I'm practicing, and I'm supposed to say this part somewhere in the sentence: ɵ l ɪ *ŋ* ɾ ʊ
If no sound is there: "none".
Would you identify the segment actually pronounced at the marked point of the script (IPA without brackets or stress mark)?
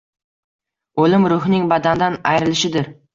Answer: m